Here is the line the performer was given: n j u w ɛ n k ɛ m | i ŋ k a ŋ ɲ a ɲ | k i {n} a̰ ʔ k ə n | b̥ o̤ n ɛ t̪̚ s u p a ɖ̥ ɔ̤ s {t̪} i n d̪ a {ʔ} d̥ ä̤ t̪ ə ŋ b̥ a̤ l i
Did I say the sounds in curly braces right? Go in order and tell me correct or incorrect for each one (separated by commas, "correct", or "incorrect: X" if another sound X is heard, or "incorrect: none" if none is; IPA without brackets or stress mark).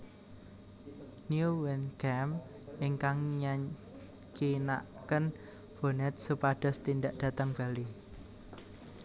correct, correct, correct